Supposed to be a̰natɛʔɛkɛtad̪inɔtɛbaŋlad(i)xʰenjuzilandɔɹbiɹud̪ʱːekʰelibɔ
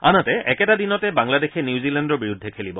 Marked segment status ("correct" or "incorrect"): incorrect